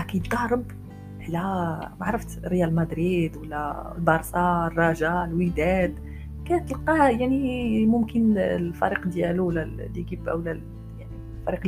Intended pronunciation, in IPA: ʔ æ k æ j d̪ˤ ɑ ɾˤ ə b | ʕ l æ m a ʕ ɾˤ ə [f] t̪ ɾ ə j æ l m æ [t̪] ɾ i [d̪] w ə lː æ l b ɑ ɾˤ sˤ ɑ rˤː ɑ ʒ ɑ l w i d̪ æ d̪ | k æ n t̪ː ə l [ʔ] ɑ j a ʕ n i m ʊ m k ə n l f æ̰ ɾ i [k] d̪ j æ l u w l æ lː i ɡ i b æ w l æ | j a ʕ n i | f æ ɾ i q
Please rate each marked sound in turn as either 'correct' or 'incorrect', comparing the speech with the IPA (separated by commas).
correct, incorrect, correct, incorrect, incorrect